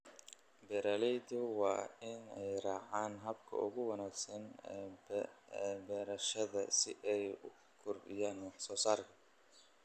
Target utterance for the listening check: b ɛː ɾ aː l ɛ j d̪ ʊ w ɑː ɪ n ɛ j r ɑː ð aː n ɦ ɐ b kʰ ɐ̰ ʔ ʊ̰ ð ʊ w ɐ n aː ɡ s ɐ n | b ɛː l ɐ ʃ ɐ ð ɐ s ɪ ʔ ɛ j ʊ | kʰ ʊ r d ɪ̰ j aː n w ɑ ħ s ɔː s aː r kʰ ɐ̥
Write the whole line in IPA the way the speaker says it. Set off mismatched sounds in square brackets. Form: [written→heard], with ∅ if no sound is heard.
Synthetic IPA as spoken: b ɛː ɾ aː l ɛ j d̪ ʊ w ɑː ɪ n ɛ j r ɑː [ð→ʕ] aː n ɦ ɐ b kʰ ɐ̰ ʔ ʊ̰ [ð→ɣ] ʊ w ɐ n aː ɡ s ɐ n | b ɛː [l→ɾ] ɐ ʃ ɐ ð ɐ s ɪ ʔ ɛ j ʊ | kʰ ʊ r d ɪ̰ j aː n w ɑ ħ s ɔː s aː r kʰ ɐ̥